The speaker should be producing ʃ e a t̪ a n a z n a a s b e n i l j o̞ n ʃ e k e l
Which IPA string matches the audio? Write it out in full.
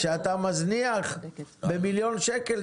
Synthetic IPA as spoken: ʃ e a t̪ a m a z n i a χ b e m i l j o̞ n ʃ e k e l